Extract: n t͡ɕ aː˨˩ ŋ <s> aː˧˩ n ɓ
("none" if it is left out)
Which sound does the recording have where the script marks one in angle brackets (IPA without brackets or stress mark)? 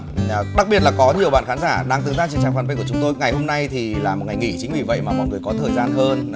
f